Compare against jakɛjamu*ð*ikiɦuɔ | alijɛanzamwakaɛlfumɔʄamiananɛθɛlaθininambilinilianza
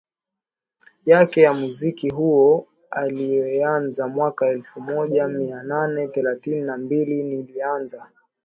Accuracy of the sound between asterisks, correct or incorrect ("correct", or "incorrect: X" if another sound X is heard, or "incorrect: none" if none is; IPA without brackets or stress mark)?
incorrect: z